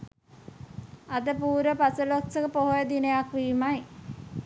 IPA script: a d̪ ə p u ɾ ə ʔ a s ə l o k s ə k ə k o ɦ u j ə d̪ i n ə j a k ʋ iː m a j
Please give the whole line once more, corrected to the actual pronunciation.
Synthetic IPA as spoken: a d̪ ə p uː ɾ ə p a s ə l o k s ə k ə p o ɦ o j ə d̪ i n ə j a k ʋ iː m a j